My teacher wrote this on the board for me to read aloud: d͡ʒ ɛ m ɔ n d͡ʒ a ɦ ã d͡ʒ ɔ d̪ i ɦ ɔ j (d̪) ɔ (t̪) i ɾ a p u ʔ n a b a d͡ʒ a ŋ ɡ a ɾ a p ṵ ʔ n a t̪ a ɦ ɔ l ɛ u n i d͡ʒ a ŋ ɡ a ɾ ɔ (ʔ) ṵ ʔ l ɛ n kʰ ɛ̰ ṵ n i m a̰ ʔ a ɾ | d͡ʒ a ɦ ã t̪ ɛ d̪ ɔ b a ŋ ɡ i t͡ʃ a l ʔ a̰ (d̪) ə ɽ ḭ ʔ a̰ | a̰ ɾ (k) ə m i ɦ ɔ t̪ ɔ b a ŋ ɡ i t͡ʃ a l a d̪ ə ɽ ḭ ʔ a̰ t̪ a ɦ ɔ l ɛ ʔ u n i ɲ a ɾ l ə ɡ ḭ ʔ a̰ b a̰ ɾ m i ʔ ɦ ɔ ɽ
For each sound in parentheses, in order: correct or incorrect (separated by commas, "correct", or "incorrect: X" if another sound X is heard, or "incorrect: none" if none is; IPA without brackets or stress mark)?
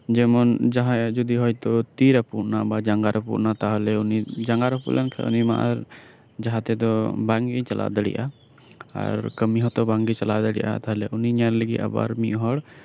incorrect: t̪, correct, incorrect: p, correct, correct